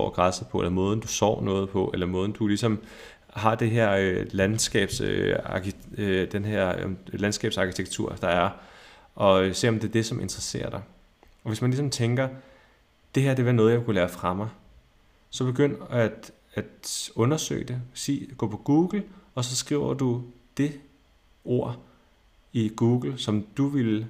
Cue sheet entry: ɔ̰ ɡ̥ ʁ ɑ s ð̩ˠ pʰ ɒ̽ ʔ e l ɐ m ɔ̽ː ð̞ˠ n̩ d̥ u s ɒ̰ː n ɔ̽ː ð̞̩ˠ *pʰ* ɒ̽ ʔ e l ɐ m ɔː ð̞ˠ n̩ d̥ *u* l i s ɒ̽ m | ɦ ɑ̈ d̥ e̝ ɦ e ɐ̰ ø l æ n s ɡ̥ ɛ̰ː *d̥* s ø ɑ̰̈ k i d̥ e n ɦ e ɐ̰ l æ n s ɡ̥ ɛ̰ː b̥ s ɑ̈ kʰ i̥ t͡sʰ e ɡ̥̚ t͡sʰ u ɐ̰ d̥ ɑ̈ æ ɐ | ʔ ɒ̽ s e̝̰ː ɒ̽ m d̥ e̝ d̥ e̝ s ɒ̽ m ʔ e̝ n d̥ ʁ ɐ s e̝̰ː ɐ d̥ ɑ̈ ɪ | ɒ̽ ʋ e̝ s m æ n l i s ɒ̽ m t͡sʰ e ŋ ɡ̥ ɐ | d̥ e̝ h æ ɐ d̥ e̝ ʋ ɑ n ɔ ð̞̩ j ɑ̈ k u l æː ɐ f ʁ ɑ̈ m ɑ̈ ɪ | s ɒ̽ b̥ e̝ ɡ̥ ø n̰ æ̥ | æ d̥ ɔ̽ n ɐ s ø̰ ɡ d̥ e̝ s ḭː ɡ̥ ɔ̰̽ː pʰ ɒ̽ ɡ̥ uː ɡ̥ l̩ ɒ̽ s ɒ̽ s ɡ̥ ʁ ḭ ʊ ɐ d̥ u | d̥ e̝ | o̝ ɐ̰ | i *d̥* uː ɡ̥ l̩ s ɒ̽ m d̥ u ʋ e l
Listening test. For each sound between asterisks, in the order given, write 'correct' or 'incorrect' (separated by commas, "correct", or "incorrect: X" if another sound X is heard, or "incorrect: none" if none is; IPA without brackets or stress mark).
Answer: correct, correct, incorrect: b̥, incorrect: ɡ̥